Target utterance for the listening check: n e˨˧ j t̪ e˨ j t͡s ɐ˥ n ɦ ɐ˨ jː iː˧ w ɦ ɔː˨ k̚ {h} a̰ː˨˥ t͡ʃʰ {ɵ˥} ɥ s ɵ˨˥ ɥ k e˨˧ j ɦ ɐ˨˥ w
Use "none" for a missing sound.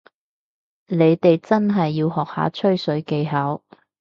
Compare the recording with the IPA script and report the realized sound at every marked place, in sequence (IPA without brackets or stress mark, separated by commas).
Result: h, ɵ˥